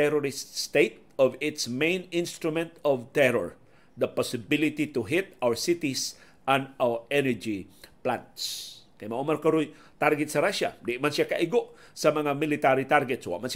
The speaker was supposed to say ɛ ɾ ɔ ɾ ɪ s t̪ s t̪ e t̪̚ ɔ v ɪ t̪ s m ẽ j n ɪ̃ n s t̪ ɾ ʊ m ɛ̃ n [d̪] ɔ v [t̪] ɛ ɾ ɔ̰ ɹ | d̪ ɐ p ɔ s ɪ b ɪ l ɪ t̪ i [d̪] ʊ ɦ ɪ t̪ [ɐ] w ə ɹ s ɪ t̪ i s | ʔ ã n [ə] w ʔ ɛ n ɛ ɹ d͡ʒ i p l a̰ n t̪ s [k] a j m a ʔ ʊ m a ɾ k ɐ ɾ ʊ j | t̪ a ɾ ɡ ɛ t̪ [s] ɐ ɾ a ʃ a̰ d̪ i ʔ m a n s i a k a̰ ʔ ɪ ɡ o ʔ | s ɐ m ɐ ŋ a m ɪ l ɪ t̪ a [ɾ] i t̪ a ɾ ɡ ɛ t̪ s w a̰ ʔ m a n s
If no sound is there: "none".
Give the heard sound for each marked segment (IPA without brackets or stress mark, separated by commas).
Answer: t̪, t̪, t̪, a, a, k, s, ɾ